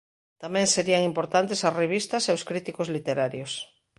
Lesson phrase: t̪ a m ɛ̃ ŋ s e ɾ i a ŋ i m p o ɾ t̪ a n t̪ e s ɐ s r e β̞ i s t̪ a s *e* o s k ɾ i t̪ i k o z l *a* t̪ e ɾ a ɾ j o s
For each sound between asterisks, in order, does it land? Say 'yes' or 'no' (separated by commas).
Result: yes, no